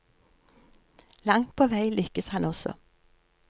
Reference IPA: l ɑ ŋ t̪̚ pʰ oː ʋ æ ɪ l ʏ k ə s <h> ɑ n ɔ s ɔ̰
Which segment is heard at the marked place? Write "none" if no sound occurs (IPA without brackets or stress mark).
h